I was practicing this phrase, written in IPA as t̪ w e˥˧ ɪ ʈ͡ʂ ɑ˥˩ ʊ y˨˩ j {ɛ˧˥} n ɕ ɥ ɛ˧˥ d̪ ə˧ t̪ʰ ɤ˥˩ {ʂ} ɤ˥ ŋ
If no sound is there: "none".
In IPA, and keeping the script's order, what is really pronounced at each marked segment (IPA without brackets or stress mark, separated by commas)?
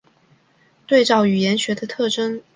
ɛ˧˥, ʈ͡ʂ